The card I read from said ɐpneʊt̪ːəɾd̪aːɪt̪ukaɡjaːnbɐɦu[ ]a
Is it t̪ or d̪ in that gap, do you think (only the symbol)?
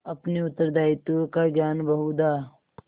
d̪